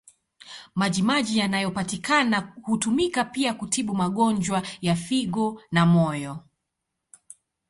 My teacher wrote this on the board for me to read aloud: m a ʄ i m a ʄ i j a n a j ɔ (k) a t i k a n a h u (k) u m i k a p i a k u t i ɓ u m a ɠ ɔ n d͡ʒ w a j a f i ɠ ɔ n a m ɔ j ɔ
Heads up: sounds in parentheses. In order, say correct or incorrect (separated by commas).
incorrect, incorrect